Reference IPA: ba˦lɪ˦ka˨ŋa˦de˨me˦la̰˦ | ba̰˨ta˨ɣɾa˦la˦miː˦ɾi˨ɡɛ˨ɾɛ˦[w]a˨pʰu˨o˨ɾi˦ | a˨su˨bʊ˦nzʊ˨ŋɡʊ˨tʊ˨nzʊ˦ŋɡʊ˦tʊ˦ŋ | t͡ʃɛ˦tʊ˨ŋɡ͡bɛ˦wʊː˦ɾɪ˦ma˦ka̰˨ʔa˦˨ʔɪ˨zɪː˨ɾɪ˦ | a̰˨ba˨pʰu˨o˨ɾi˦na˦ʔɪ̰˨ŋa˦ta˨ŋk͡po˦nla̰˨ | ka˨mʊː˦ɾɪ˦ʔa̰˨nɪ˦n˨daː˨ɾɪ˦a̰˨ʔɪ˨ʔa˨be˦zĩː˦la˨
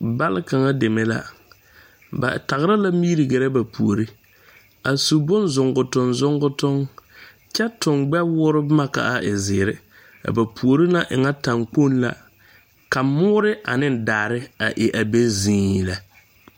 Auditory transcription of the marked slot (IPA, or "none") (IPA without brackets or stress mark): b